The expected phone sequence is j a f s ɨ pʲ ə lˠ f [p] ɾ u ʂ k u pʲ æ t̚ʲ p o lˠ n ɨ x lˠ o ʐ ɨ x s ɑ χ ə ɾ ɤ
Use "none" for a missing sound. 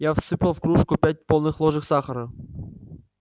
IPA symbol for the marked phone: k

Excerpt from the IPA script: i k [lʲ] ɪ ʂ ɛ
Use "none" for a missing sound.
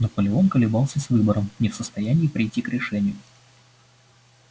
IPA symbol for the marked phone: ɾʲ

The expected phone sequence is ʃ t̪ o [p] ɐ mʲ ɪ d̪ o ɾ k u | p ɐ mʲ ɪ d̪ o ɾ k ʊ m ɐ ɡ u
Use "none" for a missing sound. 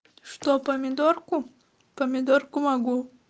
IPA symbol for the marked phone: p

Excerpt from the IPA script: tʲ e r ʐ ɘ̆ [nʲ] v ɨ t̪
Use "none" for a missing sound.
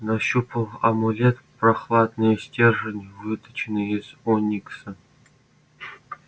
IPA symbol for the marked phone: nʲ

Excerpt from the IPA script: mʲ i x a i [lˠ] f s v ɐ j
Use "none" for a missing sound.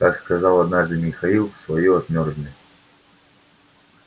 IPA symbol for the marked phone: lˠ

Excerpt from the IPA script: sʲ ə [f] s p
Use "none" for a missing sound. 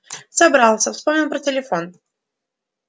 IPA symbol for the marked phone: f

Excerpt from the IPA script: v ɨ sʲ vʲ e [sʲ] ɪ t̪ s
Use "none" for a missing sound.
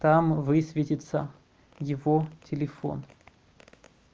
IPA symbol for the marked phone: tʲ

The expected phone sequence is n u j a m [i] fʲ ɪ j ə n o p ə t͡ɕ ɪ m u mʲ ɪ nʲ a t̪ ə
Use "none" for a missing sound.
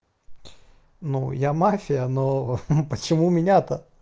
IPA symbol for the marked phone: a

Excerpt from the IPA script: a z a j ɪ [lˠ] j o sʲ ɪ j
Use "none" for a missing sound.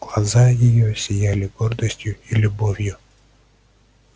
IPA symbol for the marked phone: none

